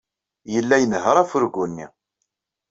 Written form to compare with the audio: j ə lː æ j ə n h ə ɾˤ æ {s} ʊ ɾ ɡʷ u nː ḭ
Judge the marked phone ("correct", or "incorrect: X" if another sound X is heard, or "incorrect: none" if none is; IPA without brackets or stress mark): incorrect: f